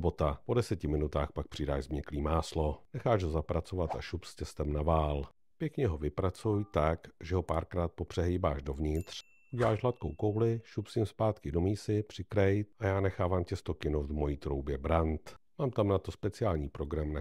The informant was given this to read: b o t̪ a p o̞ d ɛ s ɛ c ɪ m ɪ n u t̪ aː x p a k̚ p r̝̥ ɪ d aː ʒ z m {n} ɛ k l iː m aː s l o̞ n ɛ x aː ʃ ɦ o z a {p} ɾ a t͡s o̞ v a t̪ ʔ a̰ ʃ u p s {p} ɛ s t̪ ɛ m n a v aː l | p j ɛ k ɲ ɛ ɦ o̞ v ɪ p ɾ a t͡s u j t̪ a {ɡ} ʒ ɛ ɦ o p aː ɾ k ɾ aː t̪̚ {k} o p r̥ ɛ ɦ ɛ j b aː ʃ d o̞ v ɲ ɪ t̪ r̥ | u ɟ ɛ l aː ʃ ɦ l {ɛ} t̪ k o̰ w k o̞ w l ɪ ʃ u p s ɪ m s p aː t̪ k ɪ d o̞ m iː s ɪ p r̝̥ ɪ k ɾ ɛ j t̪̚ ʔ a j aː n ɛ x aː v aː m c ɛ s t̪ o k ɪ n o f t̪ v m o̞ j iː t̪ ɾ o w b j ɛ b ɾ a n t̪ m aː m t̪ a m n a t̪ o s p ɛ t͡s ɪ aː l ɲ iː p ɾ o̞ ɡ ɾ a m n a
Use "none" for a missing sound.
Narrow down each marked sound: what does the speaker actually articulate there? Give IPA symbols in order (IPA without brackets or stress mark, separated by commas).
ɲ, p, c, k, p, a